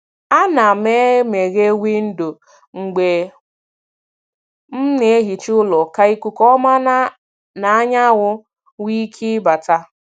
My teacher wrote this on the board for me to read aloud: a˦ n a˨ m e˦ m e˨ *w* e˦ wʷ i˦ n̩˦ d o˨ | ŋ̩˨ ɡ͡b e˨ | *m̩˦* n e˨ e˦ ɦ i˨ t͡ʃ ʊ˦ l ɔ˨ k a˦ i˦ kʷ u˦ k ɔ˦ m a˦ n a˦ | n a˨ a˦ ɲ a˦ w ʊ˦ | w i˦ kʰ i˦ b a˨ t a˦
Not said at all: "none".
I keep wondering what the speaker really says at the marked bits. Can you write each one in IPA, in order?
ɣ, m̩˦

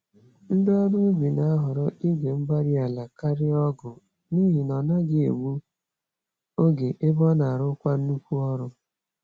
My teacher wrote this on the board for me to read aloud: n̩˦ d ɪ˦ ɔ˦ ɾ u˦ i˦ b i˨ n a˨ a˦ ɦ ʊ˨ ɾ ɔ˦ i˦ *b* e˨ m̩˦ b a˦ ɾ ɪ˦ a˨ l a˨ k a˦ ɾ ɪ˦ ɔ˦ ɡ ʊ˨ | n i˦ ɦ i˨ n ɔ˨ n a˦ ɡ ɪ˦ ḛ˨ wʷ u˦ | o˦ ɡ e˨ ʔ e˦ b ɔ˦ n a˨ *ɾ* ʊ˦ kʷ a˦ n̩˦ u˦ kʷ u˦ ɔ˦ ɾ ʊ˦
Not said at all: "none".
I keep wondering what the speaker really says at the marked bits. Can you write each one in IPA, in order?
ɡ, ɾ

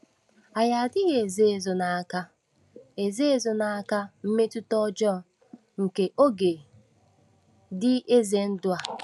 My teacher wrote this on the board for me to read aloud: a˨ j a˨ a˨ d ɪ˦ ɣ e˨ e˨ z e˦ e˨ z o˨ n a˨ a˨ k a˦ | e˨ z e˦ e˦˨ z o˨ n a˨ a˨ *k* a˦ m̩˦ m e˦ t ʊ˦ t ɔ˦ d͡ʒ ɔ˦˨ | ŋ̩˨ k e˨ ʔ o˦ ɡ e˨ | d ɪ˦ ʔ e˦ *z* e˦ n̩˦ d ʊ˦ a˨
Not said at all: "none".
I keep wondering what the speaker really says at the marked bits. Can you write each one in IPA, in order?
k, z

